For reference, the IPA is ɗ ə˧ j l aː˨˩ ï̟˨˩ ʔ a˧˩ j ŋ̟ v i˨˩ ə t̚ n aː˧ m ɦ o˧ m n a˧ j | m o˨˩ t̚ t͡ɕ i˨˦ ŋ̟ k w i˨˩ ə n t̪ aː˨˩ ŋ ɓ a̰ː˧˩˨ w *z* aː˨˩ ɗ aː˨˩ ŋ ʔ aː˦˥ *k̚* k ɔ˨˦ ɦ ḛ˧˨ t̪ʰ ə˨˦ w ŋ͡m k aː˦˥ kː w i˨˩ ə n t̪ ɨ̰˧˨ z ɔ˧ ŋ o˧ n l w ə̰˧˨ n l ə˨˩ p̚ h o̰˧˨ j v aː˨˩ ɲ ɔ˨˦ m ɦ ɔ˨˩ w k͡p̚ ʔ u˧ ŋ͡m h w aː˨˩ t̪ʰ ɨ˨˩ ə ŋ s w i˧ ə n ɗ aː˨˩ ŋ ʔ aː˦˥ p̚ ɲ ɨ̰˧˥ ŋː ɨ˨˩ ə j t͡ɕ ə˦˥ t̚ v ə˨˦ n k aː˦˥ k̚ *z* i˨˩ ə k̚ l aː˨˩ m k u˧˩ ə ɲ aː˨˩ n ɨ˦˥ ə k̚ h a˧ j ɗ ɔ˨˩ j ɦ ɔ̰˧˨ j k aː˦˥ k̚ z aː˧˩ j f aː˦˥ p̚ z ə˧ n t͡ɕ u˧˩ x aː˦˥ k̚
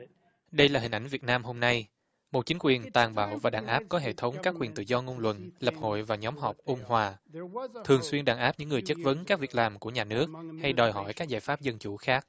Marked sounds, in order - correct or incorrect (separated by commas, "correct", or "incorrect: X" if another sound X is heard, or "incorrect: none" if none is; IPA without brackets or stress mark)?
incorrect: v, incorrect: p̚, incorrect: v